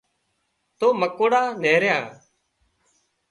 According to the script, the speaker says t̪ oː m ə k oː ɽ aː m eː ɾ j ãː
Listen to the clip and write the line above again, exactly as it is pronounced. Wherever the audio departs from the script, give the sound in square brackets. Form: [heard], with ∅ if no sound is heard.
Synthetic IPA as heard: t̪ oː m ə k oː ɽ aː [n] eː ɾ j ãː